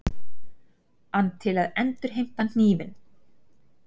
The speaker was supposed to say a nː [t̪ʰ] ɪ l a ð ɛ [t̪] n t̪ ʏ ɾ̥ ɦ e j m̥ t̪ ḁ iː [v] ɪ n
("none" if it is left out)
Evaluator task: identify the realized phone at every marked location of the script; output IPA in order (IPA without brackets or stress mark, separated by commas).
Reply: t̪ʰ, none, v